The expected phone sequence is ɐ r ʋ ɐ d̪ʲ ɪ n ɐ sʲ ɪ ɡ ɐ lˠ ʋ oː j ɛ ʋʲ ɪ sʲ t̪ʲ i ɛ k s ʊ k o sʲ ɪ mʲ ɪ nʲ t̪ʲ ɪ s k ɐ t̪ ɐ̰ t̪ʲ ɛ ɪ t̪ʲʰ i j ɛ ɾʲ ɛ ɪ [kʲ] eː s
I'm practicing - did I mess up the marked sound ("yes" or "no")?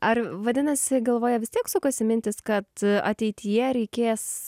no